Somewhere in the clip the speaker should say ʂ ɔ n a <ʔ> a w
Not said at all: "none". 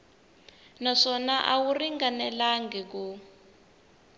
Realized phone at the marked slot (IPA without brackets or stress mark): ʔ